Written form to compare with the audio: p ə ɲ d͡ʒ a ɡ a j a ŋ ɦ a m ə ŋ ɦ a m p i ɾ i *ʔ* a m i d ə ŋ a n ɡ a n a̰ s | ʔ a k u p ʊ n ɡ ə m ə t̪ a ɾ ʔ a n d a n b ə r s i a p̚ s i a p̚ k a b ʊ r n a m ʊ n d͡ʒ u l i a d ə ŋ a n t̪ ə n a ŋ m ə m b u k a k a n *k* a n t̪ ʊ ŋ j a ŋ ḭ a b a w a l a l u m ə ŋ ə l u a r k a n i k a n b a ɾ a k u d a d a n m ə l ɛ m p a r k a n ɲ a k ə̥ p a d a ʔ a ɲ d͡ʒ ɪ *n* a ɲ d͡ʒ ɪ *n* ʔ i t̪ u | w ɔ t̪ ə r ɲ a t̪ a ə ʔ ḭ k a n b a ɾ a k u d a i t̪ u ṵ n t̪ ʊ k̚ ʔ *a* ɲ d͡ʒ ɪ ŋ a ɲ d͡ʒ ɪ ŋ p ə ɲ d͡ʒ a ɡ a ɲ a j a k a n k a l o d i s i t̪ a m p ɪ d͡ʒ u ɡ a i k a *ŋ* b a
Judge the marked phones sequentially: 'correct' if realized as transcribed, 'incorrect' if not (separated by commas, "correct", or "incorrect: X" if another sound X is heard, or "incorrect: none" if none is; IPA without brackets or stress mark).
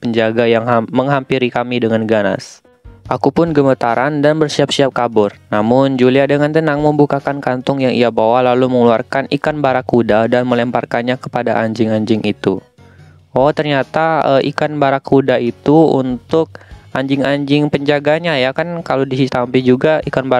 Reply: incorrect: k, correct, incorrect: ŋ, incorrect: ŋ, correct, incorrect: n